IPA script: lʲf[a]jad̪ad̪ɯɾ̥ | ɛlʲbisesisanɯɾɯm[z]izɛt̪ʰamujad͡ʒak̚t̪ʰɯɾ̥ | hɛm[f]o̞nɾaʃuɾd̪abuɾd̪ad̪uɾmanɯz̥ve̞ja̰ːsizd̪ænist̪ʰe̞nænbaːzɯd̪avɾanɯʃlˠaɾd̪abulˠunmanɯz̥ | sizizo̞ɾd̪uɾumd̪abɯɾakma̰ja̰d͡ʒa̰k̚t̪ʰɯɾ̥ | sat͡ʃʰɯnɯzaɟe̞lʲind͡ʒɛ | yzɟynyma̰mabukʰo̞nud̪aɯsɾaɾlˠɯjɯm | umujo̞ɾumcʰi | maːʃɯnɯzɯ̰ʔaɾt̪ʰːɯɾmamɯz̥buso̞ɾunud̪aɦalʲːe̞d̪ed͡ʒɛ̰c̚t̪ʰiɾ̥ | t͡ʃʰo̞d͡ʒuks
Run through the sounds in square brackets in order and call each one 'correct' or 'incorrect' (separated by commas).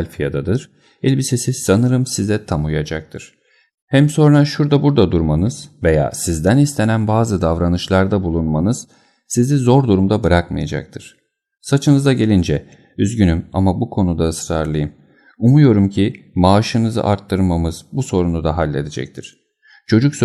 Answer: incorrect, incorrect, incorrect